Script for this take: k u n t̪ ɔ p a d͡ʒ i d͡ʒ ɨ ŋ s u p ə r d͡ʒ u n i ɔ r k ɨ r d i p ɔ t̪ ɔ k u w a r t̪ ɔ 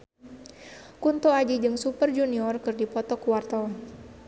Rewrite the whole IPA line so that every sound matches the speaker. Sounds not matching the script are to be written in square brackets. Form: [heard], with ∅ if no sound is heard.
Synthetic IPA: k u n t̪ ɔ [∅] a d͡ʒ i d͡ʒ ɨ ŋ s u p ə r d͡ʒ u n i ɔ r k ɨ r d i p ɔ t̪ ɔ k u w a r t̪ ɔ